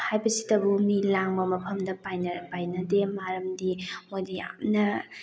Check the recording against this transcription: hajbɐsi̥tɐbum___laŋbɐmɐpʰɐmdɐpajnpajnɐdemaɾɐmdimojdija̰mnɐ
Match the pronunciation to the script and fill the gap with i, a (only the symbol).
i